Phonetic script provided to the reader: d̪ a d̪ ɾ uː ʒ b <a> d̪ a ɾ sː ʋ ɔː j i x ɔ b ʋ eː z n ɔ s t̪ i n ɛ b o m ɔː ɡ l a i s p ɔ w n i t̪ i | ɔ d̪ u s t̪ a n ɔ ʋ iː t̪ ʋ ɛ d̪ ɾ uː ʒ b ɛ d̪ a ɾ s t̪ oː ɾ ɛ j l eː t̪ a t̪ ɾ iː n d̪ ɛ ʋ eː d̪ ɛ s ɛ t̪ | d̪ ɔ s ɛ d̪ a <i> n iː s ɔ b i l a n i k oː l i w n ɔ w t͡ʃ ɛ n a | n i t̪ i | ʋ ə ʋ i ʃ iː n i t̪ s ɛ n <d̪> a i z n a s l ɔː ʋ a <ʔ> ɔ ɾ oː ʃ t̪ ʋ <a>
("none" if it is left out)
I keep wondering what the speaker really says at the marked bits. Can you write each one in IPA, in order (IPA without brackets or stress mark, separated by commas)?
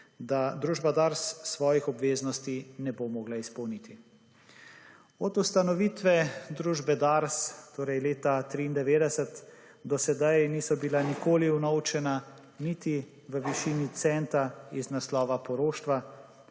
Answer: a, j, t̪, p, a